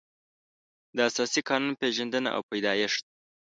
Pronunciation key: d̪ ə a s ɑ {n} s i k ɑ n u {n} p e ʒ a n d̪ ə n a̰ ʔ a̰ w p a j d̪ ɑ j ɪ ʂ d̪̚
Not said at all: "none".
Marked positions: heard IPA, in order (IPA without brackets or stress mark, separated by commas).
none, n